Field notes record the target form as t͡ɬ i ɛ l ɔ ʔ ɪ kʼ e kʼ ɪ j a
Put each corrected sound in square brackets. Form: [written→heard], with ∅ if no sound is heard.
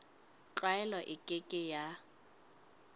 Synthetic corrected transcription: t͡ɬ [i→a] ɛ l ɔ ʔ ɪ kʼ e kʼ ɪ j a

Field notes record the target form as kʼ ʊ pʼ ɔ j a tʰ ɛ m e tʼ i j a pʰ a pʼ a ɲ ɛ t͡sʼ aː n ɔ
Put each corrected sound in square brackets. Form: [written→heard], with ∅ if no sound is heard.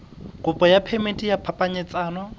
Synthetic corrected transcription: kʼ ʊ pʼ ɔ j a [tʰ→pʰ] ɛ m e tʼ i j a pʰ a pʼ a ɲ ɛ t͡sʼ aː n ɔ

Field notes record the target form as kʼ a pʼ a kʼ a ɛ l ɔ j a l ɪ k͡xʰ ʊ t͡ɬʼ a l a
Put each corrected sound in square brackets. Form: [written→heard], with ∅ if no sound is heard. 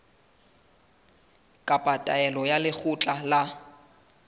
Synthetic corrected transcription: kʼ a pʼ a [kʼ→tʼ] a ɛ l ɔ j a l ɪ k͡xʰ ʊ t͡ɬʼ a l a

